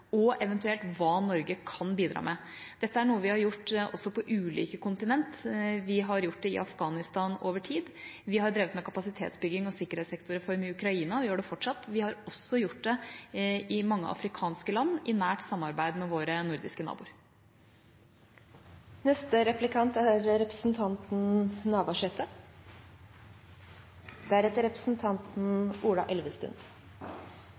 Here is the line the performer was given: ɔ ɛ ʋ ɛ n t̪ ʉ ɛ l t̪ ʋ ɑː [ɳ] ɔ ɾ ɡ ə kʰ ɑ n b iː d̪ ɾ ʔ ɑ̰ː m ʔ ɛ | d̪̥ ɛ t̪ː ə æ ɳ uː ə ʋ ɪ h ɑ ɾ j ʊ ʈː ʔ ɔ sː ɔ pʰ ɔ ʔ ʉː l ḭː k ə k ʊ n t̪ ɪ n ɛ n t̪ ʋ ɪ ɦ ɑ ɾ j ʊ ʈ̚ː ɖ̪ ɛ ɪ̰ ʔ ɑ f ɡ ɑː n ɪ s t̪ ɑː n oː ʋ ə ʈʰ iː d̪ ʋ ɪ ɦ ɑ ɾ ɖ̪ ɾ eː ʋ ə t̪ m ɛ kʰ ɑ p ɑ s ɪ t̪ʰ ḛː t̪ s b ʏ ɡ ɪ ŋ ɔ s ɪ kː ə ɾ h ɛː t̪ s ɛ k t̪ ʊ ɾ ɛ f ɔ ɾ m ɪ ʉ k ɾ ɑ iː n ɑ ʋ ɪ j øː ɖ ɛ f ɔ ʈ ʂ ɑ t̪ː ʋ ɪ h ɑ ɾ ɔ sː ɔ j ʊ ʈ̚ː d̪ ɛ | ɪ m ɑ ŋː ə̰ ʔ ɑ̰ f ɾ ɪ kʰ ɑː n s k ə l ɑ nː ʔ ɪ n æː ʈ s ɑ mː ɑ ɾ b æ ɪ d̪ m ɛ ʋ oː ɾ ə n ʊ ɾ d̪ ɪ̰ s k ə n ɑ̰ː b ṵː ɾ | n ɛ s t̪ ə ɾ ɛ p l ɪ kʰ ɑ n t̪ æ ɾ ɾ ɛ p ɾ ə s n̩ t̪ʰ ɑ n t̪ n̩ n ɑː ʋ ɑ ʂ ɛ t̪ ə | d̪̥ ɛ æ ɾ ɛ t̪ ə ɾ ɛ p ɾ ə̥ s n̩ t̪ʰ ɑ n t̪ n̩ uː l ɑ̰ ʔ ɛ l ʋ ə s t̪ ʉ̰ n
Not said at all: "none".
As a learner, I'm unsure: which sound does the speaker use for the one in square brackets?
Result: n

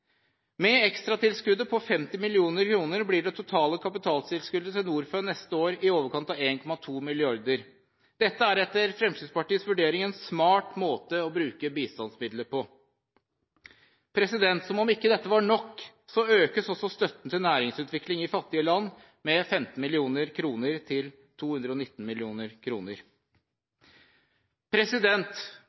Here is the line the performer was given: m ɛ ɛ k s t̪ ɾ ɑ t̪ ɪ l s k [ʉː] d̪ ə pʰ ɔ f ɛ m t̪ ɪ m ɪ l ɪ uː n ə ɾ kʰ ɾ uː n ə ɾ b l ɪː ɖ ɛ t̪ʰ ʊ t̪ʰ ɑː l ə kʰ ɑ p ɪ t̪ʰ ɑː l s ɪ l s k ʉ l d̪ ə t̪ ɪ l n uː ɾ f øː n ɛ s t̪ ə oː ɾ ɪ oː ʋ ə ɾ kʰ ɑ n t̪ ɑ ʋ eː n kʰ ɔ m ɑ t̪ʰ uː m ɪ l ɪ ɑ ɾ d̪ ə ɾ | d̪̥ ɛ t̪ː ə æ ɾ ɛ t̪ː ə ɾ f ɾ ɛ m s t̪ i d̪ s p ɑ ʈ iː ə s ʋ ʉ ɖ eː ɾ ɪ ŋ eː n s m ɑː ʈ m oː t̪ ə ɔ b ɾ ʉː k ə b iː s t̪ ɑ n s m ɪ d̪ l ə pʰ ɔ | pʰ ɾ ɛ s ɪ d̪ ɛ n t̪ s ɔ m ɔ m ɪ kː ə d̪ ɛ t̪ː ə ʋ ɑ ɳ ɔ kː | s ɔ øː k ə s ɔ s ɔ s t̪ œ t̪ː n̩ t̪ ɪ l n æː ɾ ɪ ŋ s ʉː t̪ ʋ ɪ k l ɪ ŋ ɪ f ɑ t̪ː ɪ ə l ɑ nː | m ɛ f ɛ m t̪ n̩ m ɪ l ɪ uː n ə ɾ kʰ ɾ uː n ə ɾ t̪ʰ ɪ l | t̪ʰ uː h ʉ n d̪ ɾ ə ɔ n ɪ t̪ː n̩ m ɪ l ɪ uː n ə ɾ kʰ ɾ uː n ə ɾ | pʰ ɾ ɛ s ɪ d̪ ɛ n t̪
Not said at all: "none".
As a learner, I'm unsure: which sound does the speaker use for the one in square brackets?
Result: ʉ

